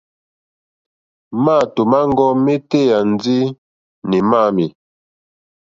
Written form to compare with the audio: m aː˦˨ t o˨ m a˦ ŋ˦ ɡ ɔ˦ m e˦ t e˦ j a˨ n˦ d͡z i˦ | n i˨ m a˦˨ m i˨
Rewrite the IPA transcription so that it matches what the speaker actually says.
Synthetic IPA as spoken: m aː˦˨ t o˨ m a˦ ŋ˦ ɡ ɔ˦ m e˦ t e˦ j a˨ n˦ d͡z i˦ | n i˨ m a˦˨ m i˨